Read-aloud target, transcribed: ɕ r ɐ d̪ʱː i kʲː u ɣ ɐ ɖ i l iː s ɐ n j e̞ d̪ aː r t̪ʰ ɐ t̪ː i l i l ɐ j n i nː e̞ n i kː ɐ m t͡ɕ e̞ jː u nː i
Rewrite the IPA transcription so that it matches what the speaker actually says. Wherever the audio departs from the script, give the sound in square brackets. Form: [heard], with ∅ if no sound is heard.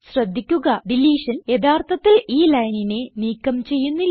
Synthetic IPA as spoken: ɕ r ɐ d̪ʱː i kʲː u ɣ ɐ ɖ i l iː [ʂ] ɐ n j e̞ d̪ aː r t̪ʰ ɐ t̪ː i l [iː] l ɐ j n i [n] e̞ n [iː] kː ɐ m t͡ɕ e̞ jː u nː i